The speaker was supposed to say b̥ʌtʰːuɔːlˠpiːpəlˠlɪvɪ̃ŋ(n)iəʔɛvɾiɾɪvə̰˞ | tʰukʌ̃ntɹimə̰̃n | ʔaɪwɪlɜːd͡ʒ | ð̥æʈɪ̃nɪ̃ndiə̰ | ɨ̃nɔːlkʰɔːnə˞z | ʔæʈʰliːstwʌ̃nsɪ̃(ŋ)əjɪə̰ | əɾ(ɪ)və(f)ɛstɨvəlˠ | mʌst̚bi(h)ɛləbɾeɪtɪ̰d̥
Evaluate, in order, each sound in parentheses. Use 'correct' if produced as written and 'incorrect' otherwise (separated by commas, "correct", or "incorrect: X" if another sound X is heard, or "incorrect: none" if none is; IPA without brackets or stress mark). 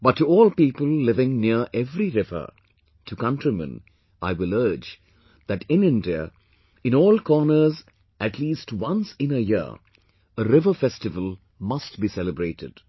correct, incorrect: n, correct, correct, incorrect: s